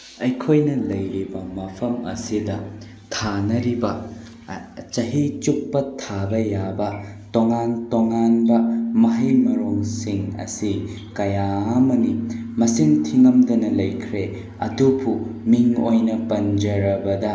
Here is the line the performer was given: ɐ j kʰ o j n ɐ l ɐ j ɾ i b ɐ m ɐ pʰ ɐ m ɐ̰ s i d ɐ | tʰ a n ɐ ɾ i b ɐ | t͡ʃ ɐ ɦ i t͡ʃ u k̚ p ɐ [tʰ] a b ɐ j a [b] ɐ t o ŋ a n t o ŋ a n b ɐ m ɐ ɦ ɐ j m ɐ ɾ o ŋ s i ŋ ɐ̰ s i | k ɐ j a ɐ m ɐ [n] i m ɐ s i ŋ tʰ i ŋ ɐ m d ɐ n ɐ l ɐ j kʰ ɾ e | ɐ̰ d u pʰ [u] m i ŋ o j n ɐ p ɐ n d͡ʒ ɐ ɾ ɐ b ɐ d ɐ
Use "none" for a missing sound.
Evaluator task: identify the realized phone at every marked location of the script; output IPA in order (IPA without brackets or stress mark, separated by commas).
tʰ, b, n, u